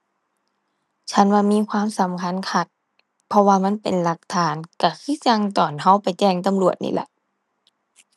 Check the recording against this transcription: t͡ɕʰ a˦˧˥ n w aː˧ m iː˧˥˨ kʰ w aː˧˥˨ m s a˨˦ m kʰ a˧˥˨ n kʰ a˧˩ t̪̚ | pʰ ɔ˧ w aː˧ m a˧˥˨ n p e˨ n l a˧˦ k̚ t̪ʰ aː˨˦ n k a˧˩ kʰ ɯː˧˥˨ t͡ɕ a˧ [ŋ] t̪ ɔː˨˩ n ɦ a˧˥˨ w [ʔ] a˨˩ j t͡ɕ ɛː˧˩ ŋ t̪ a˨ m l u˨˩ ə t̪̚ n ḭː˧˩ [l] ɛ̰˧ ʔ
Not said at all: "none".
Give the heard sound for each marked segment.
ŋ, p, l

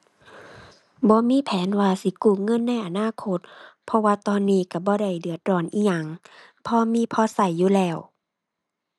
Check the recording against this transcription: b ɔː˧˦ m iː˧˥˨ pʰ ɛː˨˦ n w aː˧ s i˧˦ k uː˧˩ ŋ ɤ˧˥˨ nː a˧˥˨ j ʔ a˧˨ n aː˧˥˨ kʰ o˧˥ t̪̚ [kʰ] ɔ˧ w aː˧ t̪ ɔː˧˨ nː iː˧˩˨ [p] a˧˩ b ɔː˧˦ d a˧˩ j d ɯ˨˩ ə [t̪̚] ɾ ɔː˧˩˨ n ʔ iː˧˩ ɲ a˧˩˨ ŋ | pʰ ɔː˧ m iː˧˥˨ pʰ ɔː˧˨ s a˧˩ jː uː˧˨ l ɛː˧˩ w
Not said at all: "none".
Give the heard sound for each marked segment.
pʰ, k, t̪̚

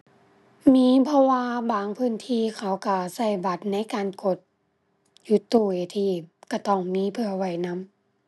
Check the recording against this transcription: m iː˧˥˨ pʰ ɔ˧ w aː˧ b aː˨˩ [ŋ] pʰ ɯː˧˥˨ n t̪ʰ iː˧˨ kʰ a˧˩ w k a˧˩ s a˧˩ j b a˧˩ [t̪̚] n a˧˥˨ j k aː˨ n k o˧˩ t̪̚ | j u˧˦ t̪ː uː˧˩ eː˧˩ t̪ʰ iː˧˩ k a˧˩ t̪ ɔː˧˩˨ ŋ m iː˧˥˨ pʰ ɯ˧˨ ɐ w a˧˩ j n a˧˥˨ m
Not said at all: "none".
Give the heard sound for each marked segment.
ŋ, t̪̚

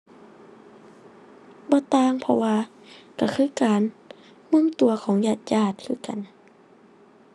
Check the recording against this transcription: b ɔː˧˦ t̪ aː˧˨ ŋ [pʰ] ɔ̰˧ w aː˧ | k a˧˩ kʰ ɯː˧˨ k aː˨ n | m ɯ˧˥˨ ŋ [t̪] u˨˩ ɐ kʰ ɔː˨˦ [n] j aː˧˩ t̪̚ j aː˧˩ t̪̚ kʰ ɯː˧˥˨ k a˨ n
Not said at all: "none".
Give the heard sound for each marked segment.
pʰ, t̪, ŋ

